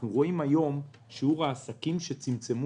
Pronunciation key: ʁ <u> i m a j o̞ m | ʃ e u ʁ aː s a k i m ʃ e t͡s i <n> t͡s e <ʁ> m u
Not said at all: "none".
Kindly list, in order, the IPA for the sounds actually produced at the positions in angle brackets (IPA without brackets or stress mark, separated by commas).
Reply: o, m, none